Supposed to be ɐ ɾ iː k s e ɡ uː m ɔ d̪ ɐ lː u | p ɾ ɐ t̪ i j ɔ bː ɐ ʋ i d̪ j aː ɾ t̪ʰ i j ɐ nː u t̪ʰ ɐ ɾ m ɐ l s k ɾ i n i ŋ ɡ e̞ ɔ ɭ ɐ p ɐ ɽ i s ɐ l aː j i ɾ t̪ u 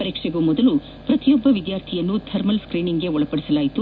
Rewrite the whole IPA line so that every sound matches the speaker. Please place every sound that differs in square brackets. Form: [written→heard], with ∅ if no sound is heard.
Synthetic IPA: ɐ ɾ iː k [s→ʂ] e ɡ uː m ɔ d̪ ɐ [lː→l] u | p ɾ ɐ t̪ i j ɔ bː ɐ ʋ i d̪ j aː ɾ t̪ʰ i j ɐ nː u t̪ʰ ɐ ɾ m ɐ l s k ɾ [i→iː] n i ŋ ɡ e̞ ɔ ɭ ɐ p ɐ ɽ i s ɐ l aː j i [ɾ→∅] t̪ u